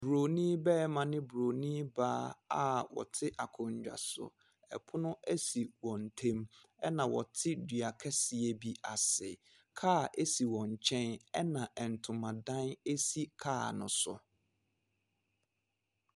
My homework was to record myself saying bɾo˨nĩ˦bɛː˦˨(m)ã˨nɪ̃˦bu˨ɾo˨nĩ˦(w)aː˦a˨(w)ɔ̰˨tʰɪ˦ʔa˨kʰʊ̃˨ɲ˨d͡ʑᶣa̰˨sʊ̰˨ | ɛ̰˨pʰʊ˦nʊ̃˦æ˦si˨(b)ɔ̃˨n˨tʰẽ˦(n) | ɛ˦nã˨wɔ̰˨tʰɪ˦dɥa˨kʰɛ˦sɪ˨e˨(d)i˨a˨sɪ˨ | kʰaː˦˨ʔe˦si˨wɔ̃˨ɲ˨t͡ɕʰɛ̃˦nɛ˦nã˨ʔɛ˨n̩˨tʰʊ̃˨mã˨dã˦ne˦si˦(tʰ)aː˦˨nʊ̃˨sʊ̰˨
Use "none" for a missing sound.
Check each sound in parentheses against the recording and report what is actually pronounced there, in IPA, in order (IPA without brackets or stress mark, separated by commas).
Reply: m, b, w, w, m, b, kʰ